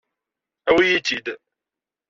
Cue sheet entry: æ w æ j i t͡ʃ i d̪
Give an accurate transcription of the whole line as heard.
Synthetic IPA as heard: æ w i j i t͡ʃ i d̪